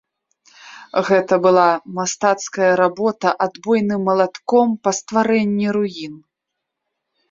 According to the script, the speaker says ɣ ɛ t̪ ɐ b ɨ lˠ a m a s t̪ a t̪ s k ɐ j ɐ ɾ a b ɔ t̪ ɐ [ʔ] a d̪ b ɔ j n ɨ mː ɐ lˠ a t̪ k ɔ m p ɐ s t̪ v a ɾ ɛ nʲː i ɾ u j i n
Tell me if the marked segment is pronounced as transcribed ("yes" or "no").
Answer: yes